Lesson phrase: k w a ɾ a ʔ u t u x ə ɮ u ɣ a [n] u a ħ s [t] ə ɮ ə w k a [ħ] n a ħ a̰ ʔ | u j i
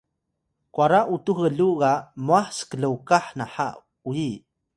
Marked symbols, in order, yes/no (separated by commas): no, no, yes